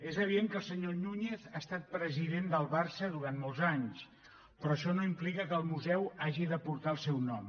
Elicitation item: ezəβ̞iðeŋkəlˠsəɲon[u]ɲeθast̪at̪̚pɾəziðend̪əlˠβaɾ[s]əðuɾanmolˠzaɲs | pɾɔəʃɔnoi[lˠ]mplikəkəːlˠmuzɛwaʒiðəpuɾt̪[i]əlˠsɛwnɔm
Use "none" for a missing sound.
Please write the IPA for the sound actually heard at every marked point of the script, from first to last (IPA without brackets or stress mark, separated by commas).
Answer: u, s, none, a